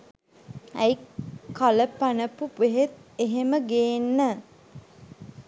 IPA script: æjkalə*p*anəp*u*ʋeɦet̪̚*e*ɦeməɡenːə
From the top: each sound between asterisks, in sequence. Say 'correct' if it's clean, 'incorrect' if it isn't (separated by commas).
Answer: correct, correct, correct